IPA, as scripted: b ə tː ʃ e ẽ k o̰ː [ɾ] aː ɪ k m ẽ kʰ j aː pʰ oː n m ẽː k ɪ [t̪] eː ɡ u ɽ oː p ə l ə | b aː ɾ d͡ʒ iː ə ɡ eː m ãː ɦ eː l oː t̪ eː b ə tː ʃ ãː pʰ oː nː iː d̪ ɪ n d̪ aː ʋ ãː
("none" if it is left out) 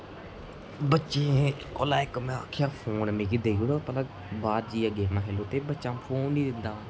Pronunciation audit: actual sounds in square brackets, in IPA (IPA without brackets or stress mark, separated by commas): l, d̪